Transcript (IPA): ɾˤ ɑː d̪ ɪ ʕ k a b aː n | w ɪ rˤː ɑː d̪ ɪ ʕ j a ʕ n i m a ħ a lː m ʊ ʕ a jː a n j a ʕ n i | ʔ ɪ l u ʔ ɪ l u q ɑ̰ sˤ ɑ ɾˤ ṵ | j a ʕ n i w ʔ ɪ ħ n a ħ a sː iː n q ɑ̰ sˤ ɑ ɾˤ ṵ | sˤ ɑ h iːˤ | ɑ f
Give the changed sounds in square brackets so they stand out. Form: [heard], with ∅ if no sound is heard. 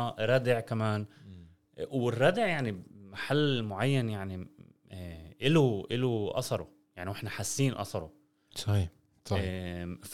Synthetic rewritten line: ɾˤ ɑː d̪ ɪ ʕ k a [m] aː n | w ɪ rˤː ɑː d̪ ɪ ʕ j a ʕ n i m a ħ a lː m ʊ ʕ a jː a n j a ʕ n i | ʔ ɪ l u ʔ ɪ l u [ʔ] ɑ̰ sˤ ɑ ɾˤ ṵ | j a ʕ n i w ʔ ɪ ħ n a ħ a sː iː n [ʔ] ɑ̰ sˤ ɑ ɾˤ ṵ | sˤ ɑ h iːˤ | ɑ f